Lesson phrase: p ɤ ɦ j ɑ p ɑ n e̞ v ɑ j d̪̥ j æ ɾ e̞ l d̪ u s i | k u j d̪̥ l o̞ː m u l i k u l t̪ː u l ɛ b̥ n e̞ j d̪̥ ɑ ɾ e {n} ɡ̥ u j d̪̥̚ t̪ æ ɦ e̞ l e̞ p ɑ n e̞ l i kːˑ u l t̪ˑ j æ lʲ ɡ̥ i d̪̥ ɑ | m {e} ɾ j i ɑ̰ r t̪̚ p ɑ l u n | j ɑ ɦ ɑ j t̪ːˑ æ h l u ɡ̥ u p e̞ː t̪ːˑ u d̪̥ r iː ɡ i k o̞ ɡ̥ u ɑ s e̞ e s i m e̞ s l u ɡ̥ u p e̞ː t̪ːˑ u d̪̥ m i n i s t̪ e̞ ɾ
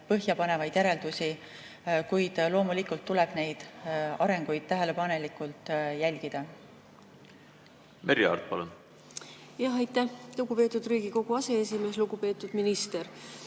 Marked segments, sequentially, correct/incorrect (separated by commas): incorrect, correct